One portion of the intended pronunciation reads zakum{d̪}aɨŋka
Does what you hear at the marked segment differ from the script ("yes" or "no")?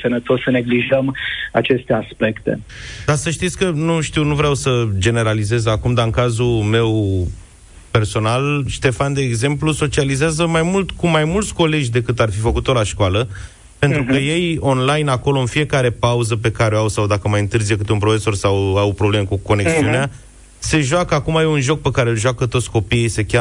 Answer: no